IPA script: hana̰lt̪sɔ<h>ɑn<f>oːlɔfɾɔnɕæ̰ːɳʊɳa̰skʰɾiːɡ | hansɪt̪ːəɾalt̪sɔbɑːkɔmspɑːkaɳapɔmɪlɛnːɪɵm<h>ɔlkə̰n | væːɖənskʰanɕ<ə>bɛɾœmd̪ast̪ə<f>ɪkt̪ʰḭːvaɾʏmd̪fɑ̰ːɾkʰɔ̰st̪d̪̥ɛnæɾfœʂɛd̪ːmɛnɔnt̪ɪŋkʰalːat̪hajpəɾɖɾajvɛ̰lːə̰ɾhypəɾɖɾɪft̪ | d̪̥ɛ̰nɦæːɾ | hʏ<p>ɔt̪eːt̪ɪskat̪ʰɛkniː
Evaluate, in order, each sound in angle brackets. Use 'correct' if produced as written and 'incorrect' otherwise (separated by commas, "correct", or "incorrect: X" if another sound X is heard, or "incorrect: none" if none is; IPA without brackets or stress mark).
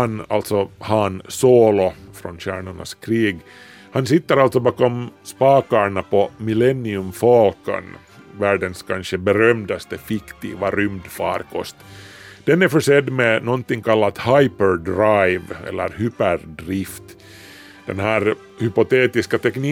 correct, incorrect: s, incorrect: f, correct, correct, correct